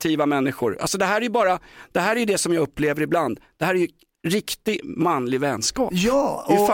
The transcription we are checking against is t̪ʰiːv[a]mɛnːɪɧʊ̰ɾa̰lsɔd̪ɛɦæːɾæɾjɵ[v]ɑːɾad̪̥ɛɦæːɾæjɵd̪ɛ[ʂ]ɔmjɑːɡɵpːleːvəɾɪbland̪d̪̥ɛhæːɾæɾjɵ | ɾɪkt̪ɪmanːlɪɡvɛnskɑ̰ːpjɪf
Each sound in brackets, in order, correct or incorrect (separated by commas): correct, incorrect, incorrect